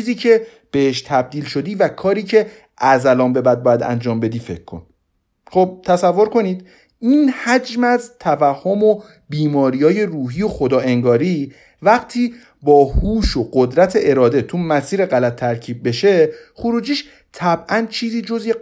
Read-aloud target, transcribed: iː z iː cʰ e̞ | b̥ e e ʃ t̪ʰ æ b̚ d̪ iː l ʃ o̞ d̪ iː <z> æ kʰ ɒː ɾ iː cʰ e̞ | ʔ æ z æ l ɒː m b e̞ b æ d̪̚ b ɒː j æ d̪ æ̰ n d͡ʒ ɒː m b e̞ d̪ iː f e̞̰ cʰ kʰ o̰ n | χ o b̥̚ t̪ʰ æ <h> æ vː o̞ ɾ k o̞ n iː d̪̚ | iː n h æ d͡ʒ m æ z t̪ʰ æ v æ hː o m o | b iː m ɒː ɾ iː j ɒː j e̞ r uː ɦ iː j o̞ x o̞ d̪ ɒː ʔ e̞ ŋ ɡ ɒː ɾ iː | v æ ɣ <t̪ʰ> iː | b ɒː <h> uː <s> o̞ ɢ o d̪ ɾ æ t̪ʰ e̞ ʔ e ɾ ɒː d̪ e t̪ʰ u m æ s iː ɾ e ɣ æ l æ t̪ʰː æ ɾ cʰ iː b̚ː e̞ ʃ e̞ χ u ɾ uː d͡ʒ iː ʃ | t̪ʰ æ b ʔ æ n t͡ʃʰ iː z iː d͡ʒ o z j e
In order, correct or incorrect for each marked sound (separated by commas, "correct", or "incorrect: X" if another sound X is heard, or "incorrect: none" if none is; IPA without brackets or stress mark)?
incorrect: v, incorrect: s, correct, correct, incorrect: ʃ